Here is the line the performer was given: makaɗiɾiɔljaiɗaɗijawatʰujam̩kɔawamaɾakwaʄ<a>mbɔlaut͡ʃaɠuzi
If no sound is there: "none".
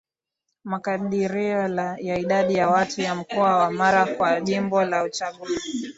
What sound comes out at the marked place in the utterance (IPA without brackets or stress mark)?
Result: i